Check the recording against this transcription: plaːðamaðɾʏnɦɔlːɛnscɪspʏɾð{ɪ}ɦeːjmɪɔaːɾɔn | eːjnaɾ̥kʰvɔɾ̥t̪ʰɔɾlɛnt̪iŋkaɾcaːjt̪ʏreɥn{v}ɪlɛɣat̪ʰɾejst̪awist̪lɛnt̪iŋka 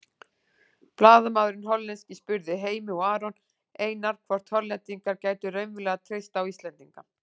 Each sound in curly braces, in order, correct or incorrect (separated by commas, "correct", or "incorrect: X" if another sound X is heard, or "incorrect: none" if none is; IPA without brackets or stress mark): correct, correct